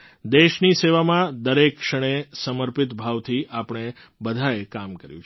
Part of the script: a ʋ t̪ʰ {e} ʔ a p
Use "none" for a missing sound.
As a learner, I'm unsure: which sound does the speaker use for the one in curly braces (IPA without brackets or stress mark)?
i